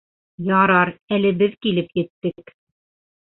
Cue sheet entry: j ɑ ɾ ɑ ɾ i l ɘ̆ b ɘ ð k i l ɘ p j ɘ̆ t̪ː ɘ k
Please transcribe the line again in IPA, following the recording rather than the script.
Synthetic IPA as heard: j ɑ ɾ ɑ ɾ æ l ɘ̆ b ɘ ð k i l ɘ p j ɘ̆ t̪ː ɘ k